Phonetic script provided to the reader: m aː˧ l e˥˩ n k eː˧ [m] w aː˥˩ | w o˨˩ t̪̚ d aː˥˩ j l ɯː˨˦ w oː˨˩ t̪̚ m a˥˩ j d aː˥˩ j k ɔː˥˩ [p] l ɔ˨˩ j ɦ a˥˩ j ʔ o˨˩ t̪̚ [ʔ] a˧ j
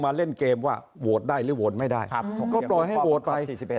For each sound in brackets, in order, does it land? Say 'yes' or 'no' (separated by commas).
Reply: yes, yes, no